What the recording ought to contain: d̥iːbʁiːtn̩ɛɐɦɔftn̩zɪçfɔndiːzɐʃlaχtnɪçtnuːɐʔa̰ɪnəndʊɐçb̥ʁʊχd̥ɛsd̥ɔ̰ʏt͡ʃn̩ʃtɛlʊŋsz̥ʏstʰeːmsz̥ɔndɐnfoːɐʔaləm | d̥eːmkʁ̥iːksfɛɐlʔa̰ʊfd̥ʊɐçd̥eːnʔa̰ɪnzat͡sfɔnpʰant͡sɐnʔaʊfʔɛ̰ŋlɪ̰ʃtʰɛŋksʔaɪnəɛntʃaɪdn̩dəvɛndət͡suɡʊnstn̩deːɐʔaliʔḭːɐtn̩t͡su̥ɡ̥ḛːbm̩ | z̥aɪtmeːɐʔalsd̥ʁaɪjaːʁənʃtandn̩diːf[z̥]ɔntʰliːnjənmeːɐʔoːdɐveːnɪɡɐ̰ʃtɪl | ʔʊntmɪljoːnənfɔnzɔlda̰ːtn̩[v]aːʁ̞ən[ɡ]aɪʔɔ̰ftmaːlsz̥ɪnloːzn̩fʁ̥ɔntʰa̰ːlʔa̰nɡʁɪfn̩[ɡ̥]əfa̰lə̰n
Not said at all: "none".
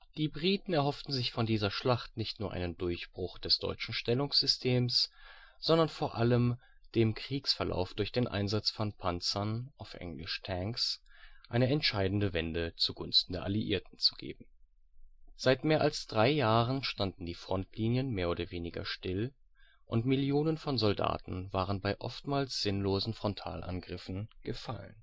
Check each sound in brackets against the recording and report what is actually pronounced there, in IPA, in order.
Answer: ʁ̥, v, b, ɡ̥

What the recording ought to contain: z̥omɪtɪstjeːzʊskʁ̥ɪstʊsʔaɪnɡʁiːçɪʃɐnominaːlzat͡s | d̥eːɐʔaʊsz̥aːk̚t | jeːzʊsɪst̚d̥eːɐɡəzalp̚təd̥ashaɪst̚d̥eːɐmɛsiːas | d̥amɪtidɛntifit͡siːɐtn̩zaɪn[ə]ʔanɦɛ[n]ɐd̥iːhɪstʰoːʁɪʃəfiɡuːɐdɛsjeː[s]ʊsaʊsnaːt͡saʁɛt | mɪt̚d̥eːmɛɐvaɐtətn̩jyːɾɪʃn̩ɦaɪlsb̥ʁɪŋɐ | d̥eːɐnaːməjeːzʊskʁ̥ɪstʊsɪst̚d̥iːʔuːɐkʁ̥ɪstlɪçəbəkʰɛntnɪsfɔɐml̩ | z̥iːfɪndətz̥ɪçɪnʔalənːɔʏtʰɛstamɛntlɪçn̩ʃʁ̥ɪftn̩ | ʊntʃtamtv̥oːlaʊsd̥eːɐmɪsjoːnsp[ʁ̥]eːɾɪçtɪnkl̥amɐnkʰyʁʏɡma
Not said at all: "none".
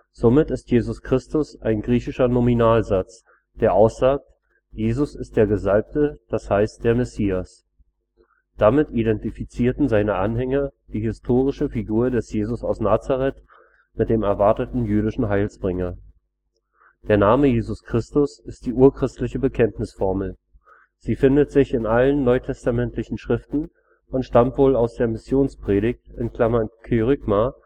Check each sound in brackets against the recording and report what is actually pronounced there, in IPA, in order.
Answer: ə, ŋ, z, ʁ̥

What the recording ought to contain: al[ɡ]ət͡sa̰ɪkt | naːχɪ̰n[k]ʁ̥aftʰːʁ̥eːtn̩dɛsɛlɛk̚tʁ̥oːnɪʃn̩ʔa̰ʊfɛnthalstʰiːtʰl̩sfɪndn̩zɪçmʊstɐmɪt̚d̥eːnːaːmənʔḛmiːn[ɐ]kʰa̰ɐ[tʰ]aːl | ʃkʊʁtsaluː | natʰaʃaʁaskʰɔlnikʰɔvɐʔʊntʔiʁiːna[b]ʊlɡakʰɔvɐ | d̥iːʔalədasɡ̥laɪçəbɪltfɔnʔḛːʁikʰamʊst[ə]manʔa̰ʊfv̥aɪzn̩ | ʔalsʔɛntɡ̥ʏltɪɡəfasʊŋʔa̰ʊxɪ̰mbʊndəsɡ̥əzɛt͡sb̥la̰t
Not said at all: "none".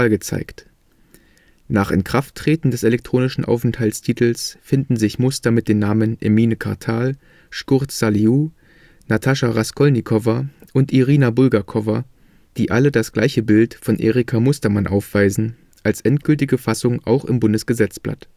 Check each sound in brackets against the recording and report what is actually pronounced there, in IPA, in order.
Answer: ɡ, k, ə, tʰ, b, ɐ

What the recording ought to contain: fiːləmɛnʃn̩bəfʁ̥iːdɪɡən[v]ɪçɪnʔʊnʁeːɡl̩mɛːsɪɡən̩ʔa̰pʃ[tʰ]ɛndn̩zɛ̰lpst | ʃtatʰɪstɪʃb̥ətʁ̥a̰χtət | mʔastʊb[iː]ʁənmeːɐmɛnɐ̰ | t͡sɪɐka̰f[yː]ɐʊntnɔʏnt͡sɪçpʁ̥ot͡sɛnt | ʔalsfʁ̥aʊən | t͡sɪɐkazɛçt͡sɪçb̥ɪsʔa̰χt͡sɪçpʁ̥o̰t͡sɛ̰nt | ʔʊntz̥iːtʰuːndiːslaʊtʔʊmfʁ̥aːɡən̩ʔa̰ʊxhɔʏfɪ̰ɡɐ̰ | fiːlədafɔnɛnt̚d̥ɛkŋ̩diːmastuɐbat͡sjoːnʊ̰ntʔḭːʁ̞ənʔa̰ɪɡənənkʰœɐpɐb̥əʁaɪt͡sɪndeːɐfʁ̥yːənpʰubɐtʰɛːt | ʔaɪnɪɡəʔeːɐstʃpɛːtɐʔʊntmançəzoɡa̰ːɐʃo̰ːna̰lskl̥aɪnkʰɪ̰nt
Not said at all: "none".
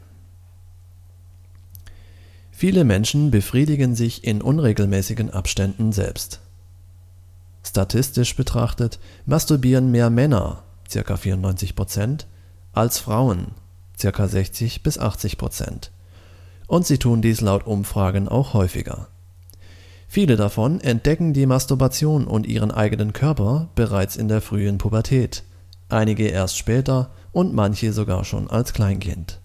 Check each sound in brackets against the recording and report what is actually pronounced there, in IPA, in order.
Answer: z, t, iː, iː

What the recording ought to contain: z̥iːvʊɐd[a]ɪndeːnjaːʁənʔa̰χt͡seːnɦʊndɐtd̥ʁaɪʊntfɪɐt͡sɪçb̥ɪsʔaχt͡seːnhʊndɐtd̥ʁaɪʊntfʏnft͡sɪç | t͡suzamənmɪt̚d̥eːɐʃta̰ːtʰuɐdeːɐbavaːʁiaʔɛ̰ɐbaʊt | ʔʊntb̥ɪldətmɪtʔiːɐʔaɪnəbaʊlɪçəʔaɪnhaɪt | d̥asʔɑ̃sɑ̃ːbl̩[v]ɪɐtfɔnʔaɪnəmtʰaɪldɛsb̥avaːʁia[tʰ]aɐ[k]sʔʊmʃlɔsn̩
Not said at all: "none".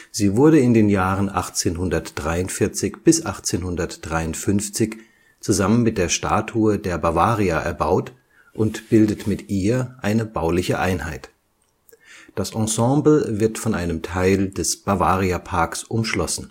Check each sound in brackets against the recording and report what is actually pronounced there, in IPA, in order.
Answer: ə, v, pʰ, k

